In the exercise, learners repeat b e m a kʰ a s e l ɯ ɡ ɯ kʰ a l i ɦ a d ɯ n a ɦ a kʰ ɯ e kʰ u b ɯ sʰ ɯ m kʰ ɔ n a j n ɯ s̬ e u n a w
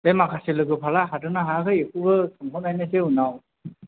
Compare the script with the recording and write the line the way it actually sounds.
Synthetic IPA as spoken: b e m a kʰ a s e l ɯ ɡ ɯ pʰ a l a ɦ a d ɯ n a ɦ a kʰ ɯ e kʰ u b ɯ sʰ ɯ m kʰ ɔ n a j n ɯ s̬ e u n a w

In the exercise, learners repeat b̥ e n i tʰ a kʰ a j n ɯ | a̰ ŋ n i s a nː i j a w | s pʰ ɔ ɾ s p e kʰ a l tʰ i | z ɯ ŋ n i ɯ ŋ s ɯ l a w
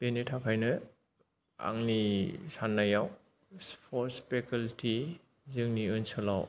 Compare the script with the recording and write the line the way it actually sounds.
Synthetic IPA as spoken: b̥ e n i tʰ a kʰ a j n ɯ | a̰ ŋ n i s a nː a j a w | s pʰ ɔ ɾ s p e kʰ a l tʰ i | z ɯ ŋ n i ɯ n s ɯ l a w

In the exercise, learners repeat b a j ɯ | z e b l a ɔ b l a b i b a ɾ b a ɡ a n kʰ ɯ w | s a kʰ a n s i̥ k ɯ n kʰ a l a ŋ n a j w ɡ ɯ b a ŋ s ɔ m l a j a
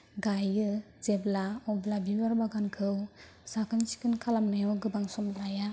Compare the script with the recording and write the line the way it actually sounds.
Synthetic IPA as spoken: ɡ a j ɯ | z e b l a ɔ b l a b i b a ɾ b a ɡ a n kʰ ɯ w | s a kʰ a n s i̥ k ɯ n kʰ a l a m n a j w ɡ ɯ b a ŋ s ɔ m l a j a

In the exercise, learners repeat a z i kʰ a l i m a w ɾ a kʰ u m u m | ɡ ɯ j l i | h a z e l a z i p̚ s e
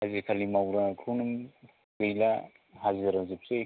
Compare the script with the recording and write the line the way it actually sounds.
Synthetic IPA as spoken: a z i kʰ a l i m a w ɾ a kʰ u n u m | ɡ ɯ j l a | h a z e ɾ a z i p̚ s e

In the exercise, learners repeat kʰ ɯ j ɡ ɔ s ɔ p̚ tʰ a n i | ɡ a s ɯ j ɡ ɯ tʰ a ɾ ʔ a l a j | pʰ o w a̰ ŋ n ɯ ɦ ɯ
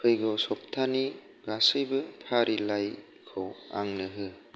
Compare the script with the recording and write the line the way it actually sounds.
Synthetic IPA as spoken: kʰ ɯ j ɡ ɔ s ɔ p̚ tʰ a n i | ɡ a s ɯ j b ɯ pʰ a ɾ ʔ i l a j | kʰ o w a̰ ŋ n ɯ ɦ ɯ

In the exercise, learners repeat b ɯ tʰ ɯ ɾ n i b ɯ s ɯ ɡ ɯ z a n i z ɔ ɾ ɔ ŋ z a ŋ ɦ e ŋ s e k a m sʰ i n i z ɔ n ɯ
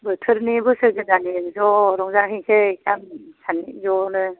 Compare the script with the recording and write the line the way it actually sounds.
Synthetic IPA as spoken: b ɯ tʰ ɯ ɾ n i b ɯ s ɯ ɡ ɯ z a n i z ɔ ɾ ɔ ŋ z a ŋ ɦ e ŋ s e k a m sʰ a n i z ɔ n ɯ

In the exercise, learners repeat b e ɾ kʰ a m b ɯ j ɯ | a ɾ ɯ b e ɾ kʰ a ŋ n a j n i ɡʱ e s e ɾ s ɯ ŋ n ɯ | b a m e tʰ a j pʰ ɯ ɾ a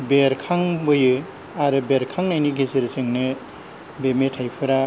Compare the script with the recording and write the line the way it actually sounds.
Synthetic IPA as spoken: b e ɾ kʰ a ŋ b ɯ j ɯ | a ɾ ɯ b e ɾ kʰ a ŋ n a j n i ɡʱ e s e ɾ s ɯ ŋ n ɯ | b e m e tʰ a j pʰ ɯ ɾ a

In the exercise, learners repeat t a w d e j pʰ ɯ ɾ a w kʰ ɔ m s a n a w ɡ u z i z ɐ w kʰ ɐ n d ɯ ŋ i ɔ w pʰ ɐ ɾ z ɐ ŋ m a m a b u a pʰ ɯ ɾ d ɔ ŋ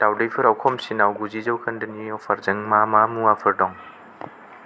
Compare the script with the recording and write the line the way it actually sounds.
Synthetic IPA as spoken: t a w d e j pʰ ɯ ɾ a w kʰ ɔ m s i n a w ɡ u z i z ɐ w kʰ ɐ n d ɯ n i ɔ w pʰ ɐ ɾ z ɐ ŋ m a m a m u a pʰ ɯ ɾ d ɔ ŋ

